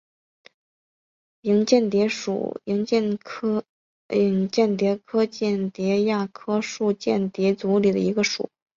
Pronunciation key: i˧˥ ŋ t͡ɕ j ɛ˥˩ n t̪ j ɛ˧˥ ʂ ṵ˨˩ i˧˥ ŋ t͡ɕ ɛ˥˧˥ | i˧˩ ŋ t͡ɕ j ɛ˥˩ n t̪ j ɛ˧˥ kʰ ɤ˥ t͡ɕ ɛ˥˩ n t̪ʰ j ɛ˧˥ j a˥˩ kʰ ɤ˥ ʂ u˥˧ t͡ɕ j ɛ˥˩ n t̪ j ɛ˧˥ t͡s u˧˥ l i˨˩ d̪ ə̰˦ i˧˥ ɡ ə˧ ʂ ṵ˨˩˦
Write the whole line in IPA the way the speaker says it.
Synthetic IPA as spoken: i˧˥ ŋ t͡ɕ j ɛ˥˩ n t̪ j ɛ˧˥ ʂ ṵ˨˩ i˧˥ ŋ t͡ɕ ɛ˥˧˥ | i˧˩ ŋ t͡ɕ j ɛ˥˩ n t̪ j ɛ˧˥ kʰ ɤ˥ t͡ɕ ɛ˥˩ n t̪ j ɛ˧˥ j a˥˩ kʰ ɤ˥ ʂ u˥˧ t͡ɕ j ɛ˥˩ n t̪ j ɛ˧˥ t͡s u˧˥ l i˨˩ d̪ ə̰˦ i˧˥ ɡ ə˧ ʂ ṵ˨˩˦